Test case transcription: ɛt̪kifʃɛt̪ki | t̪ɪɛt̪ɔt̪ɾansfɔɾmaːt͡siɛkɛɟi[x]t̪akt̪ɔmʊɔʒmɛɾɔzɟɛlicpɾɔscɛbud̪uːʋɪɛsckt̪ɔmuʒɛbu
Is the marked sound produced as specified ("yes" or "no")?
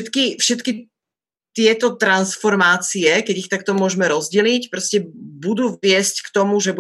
yes